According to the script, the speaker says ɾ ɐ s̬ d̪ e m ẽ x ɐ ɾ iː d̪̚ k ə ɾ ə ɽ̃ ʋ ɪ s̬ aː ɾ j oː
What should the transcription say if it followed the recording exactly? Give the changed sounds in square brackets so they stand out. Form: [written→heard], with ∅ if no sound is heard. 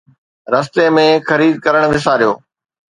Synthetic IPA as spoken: ɾ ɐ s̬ [d̪→t̪] e m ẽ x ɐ ɾ iː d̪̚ k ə ɾ ə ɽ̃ ʋ ɪ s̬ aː ɾ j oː